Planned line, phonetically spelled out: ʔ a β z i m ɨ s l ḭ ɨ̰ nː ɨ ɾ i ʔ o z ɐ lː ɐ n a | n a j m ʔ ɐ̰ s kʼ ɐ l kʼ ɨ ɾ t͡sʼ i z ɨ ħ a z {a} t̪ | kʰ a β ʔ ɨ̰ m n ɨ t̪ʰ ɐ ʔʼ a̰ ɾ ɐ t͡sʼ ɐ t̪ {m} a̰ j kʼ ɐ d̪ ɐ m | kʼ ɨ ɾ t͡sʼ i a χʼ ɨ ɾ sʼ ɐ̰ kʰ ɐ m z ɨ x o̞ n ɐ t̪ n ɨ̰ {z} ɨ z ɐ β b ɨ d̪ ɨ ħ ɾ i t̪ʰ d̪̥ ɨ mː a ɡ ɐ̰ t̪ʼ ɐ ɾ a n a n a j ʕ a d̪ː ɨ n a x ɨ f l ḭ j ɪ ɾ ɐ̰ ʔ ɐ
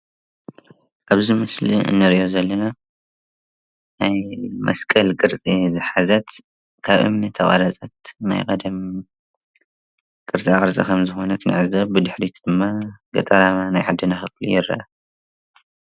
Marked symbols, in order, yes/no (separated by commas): no, no, no